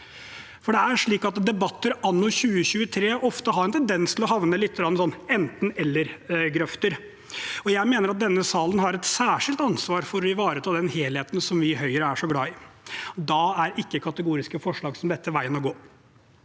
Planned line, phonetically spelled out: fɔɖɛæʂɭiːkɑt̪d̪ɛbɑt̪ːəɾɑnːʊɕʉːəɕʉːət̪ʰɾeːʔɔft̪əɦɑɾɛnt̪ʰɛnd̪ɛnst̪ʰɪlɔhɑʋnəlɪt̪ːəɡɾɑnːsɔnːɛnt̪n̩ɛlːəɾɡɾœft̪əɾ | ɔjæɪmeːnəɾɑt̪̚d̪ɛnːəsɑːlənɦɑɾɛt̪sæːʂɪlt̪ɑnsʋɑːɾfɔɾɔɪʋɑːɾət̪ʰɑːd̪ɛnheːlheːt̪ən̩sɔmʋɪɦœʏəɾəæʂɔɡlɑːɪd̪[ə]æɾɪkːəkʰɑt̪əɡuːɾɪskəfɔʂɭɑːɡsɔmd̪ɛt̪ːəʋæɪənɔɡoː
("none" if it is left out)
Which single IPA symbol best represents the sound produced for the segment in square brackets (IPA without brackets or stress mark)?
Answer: ɑ